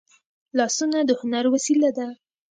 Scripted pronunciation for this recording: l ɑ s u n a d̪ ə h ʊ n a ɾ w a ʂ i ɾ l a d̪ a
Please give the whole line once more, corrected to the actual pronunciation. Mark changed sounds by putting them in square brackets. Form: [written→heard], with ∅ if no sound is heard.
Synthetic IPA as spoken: l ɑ s u n a d̪ ə h ʊ n a ɾ w a [ʂ→s] i [ɾ→∅] l a d̪ a